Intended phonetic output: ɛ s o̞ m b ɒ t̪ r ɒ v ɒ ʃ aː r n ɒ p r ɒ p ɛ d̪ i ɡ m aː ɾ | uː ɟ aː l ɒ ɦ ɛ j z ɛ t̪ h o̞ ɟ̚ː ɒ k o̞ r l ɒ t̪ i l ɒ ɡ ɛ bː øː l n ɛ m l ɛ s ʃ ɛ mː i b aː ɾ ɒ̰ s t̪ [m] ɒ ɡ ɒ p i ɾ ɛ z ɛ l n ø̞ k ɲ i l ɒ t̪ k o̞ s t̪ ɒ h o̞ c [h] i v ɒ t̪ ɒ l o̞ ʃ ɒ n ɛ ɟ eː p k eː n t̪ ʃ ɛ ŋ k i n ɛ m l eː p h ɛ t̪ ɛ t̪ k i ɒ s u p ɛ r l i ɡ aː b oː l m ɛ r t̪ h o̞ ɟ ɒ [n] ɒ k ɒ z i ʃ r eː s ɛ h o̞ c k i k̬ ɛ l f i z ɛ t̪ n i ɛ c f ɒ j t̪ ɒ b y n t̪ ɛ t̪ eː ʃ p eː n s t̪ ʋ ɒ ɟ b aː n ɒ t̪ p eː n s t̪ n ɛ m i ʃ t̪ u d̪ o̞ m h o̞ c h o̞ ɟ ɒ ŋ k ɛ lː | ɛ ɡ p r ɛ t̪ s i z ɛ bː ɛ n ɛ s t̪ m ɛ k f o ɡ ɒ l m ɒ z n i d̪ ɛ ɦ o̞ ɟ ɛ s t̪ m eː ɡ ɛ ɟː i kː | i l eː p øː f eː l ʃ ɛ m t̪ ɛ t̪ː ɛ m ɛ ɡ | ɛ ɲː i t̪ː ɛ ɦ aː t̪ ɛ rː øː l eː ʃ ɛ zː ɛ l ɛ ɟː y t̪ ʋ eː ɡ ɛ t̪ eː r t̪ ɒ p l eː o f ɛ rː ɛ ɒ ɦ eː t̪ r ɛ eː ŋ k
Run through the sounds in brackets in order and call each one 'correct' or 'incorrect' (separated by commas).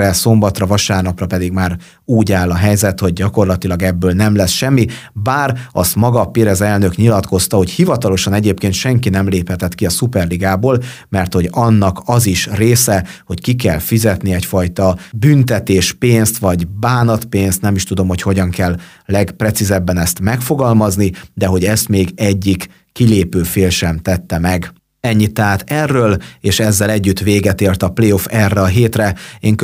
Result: correct, correct, incorrect